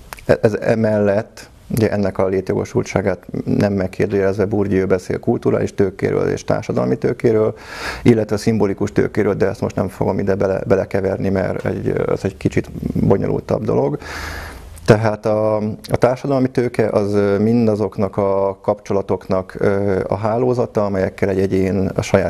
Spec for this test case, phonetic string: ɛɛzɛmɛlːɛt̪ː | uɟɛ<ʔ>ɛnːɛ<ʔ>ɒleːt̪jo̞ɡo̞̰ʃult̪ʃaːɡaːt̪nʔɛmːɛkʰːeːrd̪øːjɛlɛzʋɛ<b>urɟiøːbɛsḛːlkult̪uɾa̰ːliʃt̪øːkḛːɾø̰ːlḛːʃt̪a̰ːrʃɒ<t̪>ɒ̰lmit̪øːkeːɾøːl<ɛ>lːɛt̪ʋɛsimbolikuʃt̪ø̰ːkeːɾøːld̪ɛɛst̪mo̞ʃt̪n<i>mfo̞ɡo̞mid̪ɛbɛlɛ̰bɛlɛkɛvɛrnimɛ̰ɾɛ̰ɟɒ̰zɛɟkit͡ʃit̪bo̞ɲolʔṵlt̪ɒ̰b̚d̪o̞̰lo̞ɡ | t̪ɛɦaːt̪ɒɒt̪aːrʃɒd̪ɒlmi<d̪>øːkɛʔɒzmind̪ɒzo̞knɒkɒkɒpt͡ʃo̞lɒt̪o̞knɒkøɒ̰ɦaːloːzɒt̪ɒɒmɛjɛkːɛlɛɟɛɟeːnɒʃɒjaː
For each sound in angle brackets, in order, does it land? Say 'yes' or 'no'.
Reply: yes, no, yes, no, no, no, no

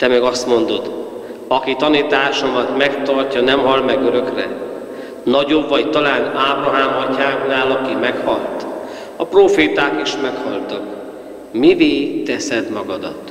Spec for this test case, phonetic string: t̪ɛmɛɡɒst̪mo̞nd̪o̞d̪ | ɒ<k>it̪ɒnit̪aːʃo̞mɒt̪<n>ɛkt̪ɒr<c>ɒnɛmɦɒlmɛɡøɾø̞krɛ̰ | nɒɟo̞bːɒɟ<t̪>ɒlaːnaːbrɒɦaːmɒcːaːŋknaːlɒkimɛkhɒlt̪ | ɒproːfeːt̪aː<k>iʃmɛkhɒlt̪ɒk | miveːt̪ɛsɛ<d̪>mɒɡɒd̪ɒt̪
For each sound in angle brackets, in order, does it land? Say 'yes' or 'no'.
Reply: yes, no, yes, yes, yes, yes

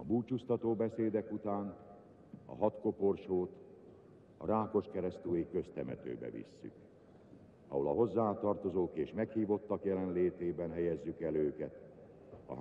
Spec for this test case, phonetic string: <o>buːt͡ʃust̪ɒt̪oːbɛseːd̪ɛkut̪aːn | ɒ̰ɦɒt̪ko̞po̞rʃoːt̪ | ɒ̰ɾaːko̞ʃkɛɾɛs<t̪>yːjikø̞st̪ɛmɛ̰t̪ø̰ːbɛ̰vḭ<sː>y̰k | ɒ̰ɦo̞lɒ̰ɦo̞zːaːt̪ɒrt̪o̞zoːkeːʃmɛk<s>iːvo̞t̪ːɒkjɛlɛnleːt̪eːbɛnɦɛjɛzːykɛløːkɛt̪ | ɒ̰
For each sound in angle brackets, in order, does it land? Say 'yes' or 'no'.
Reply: no, yes, yes, no

